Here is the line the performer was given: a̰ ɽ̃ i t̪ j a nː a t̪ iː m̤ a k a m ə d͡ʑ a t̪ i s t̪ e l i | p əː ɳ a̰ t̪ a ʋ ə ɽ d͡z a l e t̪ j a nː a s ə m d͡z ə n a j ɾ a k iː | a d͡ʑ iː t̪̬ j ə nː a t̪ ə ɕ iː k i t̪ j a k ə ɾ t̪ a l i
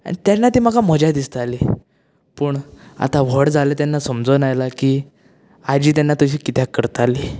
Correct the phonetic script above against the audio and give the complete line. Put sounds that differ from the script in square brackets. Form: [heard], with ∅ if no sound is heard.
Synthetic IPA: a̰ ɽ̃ i t̪ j a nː a t̪ iː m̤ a k a m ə d͡ʑ a [d̪] i s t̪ [a] l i | p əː ɳ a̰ t̪ a ʋ ə ɽ d͡z a l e t̪ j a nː a s ə m d͡z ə n a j [l] a k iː | a d͡ʑ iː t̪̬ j [a] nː a t̪ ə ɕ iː k i t̪ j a k ə ɾ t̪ a l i

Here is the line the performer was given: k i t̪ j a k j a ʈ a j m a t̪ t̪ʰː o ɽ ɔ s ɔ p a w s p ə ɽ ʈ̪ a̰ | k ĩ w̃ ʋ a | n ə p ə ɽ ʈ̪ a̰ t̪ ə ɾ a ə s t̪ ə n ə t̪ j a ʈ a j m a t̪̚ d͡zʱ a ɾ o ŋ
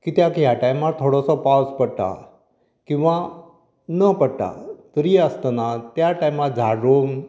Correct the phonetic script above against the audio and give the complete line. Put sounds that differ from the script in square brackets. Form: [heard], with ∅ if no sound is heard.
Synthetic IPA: k i t̪ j a k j a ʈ a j m a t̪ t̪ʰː o ɽ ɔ s ɔ p a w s p ə ɽ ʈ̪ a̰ | k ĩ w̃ ʋ a | n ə p ə ɽ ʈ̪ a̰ t̪ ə ɾ [i] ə s t̪ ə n [a] t̪ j a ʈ a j m a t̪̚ d͡zʱ a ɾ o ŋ

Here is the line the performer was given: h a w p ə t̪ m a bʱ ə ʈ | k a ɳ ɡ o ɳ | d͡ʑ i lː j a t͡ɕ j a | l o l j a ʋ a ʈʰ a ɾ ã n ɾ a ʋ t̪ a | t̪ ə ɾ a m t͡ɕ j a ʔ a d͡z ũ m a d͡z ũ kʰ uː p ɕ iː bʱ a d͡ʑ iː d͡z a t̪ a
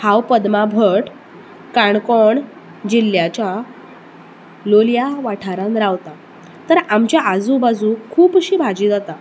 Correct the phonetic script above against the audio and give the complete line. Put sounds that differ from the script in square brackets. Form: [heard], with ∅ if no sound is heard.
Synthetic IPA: h a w p ə [d̪] m a bʱ ə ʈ | k a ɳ [k] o ɳ | d͡ʑ i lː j a t͡ɕ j a | l o l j a ʋ a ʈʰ a ɾ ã n ɾ a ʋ t̪ a | t̪ ə ɾ a m t͡ɕ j a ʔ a d͡z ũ [b] a d͡z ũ kʰ uː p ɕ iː bʱ a d͡ʑ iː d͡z a t̪ a

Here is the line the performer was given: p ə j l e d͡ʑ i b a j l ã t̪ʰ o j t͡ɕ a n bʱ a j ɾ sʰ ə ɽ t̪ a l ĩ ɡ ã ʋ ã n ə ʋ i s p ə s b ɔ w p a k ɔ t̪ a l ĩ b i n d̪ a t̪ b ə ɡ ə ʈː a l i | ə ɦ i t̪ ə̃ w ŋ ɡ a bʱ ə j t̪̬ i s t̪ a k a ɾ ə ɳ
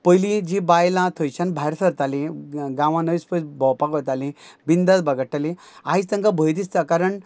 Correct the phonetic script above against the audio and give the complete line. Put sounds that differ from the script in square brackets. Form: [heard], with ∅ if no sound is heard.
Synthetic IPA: p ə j l [i] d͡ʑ i b a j l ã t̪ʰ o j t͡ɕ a n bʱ a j ɾ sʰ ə [ɾ] t̪ a l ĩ ɡ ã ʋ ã n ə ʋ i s p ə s b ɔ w p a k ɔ t̪ a l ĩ b i n d̪ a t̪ b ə ɡ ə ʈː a l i | [a] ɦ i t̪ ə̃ [∅] ŋ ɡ a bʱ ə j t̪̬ i s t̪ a k a ɾ ə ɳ

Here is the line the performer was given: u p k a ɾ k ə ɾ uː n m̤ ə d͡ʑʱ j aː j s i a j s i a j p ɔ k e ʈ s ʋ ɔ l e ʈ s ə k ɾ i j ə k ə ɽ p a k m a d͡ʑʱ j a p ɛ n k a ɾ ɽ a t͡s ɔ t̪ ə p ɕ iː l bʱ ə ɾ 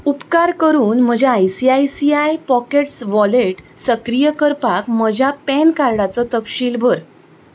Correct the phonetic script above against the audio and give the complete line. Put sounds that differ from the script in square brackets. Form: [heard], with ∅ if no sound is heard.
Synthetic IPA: u p k a ɾ k ə ɾ uː n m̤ ə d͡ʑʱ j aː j s i a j s i a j p ɔ k e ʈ s ʋ ɔ l e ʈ s ə k ɾ i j ə k ə [ɾ] p a k m [ə] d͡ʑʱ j a p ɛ n k a ɾ ɽ a t͡s ɔ t̪ ə p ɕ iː l bʱ ə ɾ

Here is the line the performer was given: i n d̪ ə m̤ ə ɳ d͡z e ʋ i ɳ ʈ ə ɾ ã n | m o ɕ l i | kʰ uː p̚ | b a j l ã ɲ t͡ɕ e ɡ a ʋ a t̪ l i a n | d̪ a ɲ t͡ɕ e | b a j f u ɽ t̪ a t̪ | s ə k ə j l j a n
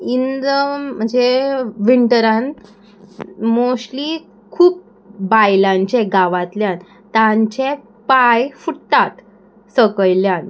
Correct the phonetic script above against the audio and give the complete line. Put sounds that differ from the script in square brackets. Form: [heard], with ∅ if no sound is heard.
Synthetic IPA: i n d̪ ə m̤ ə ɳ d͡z e ʋ i ɳ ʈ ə ɾ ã n | m o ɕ l i | kʰ uː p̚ | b a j l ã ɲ t͡ɕ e ɡ a ʋ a t̪ l [j] a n | [t̪] a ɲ t͡ɕ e | [p] a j f u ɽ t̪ a t̪ | s ə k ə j l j a n

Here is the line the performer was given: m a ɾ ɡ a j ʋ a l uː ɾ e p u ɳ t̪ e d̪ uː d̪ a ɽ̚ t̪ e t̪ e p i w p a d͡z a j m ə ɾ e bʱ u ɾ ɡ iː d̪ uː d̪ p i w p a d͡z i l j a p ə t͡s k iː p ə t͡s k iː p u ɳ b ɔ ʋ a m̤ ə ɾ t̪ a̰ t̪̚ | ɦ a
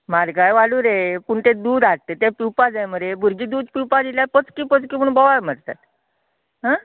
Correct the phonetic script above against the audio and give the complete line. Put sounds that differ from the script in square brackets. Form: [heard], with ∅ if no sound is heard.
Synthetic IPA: m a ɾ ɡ a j ʋ a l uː ɾ e p u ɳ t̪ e d̪ uː d̪ a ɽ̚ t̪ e t̪ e p i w p a d͡z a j m ə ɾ e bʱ u ɾ ɡ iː d̪ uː d̪ p i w p a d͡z i l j a p ə t͡s k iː p ə t͡s k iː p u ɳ b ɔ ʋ a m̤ ə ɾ t̪ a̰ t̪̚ | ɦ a

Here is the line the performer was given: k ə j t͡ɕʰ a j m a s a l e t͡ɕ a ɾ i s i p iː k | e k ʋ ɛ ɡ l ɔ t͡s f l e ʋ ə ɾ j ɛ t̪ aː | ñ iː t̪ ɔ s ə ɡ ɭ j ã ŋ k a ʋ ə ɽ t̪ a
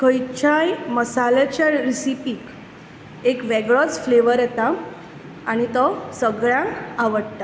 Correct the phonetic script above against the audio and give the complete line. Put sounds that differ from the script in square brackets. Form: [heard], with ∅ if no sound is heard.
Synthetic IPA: k ə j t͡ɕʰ a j m [ə] s a l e t͡ɕ a ɾ i s i p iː k | e k ʋ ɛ ɡ [ɭ] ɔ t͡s f l e ʋ ə ɾ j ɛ t̪ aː | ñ [i] t̪ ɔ s ə ɡ ɭ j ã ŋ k a ʋ ə ɽ t̪ a

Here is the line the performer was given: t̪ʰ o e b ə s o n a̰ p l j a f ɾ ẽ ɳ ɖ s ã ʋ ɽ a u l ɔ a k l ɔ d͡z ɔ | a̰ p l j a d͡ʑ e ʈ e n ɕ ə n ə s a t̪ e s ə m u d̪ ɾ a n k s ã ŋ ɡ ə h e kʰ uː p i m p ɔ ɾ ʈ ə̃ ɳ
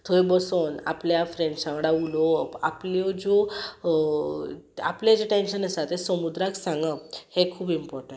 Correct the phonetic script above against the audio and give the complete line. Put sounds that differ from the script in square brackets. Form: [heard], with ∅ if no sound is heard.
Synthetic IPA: t̪ʰ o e b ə s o n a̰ p l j a f ɾ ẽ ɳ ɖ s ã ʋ ɽ a u l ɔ a [p] l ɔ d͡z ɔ | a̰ p l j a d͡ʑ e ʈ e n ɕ ə n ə s a t̪ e s ə m u d̪ ɾ a [∅] k s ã ŋ ɡ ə h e kʰ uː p i m p ɔ ɾ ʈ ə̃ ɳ

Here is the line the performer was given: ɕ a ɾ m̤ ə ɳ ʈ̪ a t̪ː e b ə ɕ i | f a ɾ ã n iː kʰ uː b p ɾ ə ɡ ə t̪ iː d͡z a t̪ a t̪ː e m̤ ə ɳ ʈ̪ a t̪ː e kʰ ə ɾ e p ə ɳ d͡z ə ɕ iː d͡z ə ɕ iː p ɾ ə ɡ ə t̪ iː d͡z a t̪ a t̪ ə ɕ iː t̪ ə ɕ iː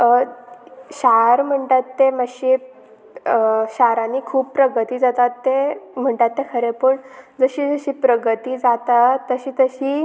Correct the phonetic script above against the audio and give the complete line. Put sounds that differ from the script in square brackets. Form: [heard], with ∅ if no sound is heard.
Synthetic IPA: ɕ a ɾ m̤ ə ɳ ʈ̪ a t̪ː e [m] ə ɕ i | [ɕ] a ɾ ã n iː kʰ uː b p ɾ ə ɡ ə t̪ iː d͡z a t̪ a t̪ː e m̤ ə ɳ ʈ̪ a t̪ː e kʰ ə ɾ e p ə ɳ d͡z ə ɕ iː d͡z ə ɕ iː p ɾ ə ɡ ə t̪ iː d͡z a t̪ a t̪ ə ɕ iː t̪ ə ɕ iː

